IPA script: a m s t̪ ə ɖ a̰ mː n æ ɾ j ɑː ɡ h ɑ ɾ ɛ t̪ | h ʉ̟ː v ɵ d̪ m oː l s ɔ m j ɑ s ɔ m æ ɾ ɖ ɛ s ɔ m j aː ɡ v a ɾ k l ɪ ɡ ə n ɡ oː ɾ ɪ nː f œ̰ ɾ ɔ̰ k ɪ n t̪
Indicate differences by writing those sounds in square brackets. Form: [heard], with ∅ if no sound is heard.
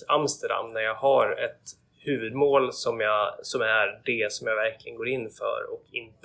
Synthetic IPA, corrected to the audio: a m s t̪ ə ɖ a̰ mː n æ ɾ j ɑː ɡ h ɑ ɾ ɛ t̪ | h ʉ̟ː v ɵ d̪ m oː l s ɔ m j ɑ s ɔ m æ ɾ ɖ ɛ s ɔ m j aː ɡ v [æ] ɾ k l ɪ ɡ ə n ɡ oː ɾ ɪ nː f œ̰ ɾ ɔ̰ k ɪ n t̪